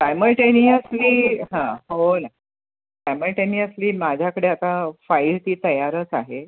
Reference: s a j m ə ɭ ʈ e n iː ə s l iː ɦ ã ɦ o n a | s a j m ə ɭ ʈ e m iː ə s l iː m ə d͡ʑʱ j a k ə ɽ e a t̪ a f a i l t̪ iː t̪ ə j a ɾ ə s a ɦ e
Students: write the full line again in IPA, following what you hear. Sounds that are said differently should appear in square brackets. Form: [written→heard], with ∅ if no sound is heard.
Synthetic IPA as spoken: s a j m ə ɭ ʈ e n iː ə s l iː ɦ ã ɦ o n a | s a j m ə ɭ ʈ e [m→n] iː ə s l iː m [ə→a] d͡ʑʱ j a k ə ɽ e a t̪ a f a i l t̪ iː t̪ ə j a ɾ ə [s→t͡s] a ɦ e

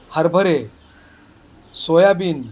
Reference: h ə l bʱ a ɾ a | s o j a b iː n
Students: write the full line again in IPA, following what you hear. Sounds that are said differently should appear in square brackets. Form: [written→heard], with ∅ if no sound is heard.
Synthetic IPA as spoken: h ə [l→ɾ] bʱ [a→ə] ɾ [a→e] | s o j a b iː n

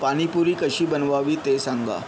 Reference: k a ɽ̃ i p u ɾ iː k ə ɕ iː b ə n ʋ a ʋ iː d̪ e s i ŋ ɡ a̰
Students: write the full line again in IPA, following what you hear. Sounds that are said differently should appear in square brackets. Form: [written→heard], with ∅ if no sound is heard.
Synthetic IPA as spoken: [k→p] a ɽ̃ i p u ɾ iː k ə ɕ iː b ə n ʋ a ʋ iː [d̪→t̪] e s [i→a] ŋ ɡ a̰

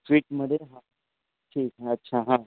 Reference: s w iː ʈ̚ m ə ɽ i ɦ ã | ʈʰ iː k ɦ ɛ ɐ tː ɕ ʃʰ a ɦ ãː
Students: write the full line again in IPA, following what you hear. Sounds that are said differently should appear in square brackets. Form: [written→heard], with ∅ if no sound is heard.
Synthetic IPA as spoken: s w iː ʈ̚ m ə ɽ [i→e] ɦ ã | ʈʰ iː k ɦ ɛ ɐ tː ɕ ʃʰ a ɦ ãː

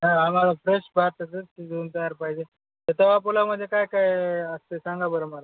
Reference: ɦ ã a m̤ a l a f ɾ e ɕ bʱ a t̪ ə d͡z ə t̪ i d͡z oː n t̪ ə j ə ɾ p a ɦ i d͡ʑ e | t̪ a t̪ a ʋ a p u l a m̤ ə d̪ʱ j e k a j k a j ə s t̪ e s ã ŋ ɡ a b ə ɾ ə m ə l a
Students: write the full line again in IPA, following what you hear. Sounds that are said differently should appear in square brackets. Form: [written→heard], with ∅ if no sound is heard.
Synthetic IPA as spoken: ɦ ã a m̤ a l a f ɾ e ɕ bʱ a t̪ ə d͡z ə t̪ i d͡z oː n t̪ ə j [ə→a] ɾ p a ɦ i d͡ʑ e | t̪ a t̪ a ʋ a p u l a m̤ ə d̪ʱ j e k a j k a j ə s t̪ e s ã ŋ ɡ a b ə ɾ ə m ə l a

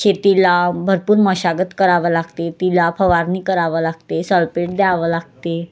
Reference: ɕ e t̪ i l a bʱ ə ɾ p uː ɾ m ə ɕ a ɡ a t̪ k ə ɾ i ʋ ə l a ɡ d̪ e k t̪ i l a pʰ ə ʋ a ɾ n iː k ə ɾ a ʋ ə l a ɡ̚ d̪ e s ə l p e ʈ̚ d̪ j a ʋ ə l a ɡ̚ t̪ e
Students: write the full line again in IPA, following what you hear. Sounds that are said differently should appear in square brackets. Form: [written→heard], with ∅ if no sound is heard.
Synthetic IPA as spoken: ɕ e t̪ i l a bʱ ə ɾ p uː ɾ m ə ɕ a ɡ [a→ə] t̪ k ə ɾ [i→a] ʋ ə l a ɡ [d̪→t̪] e [k→∅] t̪ i l a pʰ ə ʋ a ɾ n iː k ə ɾ a ʋ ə l a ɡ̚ [d̪→t̪] e s ə l p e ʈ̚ d̪ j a ʋ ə l a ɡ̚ t̪ e

